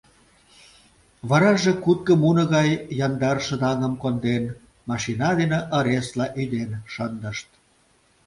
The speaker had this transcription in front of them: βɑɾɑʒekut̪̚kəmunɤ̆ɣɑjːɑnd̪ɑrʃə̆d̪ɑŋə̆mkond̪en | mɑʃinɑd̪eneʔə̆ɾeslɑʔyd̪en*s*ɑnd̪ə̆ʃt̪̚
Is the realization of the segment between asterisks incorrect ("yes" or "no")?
yes